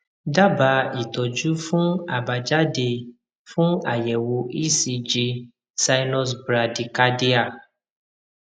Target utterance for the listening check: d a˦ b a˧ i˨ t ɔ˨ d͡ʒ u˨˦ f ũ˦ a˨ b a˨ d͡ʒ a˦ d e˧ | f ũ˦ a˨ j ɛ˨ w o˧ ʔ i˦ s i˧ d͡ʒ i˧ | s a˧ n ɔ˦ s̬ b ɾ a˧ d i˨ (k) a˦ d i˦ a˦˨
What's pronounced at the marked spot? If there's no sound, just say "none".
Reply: k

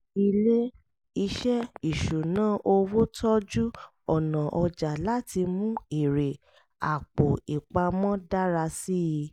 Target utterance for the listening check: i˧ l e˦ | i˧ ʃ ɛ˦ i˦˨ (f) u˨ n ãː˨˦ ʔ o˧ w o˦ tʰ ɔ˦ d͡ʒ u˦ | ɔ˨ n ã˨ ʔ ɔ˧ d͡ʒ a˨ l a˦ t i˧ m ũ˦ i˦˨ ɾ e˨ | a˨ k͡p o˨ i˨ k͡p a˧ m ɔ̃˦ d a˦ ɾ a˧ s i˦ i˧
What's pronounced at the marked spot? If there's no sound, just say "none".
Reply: ʃ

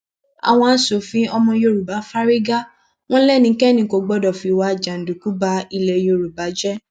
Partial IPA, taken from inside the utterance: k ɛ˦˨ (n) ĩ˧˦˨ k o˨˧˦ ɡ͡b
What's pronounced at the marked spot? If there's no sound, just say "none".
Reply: n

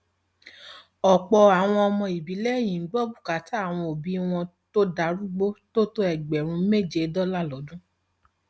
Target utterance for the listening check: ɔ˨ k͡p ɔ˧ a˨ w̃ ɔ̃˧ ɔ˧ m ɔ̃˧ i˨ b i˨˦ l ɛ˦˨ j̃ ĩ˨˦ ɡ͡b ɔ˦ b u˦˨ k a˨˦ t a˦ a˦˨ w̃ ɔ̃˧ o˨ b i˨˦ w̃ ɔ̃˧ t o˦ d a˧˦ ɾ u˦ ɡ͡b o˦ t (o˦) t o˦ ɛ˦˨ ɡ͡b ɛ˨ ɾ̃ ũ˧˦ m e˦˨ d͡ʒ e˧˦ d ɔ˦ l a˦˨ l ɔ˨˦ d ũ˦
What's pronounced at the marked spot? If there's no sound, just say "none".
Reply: o˦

